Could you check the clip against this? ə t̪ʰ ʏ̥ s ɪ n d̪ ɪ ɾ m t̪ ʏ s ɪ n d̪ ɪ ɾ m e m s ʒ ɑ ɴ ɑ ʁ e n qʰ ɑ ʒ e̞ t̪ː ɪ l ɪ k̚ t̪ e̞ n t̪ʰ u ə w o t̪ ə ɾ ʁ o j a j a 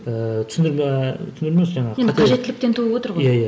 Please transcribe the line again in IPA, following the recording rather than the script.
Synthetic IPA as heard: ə t̪ʰ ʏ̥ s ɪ n d̪ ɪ ɾ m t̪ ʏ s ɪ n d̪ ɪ ɾ m e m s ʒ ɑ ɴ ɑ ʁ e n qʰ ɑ ʒ e̞ t̪ː ɪ l ɪ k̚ t̪ e̞ n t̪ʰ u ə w o t̪ ə ɾ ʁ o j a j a